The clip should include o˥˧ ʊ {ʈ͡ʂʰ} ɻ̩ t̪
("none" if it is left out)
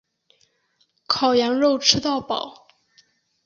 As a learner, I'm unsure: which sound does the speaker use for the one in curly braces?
ʈ͡ʂʰ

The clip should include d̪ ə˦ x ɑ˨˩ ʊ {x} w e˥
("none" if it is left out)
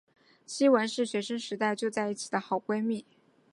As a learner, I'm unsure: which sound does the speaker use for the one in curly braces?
k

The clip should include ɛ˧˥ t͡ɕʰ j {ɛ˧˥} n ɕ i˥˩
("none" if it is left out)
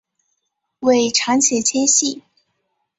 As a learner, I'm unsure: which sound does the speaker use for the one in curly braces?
ɛ˥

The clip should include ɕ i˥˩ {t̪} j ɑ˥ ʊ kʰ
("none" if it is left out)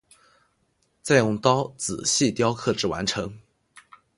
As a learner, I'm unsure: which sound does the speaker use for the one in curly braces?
t̪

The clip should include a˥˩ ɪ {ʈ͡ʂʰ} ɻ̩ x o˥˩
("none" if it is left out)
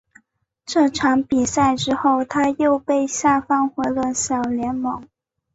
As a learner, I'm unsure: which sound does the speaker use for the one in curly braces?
ʈ͡ʂ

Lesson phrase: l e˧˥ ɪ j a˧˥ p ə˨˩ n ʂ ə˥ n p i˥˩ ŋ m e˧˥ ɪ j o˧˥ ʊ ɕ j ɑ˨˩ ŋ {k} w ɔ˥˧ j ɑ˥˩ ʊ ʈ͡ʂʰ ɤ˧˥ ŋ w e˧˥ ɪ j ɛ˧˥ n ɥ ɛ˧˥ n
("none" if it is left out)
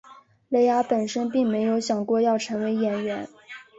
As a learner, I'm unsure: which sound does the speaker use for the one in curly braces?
k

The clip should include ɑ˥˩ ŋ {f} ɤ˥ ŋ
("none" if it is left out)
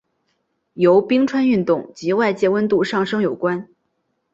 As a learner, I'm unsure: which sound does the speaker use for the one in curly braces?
ʂ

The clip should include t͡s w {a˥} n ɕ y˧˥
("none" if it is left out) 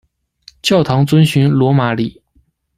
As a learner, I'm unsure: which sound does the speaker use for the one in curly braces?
ə˥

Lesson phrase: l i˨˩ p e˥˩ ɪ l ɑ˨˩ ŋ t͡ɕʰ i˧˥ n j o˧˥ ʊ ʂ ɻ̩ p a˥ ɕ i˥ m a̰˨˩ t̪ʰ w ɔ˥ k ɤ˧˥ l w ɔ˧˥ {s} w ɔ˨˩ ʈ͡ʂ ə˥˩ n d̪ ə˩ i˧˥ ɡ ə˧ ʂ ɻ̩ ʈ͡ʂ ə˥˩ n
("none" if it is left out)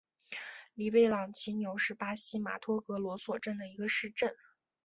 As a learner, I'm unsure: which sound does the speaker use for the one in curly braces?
s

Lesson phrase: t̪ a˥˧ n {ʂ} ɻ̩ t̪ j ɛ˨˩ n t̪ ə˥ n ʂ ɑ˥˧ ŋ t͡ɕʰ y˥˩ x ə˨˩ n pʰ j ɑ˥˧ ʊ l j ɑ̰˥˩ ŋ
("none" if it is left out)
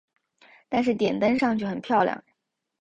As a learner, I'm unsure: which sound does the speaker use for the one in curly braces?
ʂ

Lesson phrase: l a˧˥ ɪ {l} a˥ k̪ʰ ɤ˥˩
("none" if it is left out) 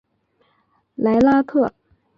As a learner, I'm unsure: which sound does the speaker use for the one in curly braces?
l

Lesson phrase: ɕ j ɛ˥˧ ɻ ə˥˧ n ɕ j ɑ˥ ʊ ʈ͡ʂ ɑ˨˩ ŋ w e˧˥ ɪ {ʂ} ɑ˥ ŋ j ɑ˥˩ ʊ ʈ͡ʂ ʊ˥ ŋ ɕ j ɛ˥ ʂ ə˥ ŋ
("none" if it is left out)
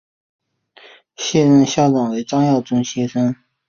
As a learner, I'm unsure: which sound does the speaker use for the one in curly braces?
ʈ͡ʂ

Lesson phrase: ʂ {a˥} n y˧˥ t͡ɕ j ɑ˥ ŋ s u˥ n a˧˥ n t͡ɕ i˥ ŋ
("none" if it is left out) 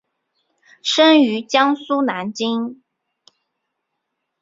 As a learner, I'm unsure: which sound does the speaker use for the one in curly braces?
ə˥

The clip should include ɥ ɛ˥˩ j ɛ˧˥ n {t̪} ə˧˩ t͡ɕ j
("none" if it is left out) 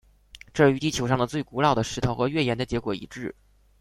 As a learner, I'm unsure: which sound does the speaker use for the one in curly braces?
d̪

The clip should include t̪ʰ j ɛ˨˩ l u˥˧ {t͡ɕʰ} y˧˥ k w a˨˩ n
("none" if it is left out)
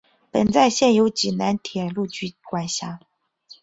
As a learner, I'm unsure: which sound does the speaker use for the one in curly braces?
t͡ɕ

